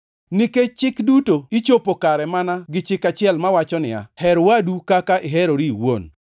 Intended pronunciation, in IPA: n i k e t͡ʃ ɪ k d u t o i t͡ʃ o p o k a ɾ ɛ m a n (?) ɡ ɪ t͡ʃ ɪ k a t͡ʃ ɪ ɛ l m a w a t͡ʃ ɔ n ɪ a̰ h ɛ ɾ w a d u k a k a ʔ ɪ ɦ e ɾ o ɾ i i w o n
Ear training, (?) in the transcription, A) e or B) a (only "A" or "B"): B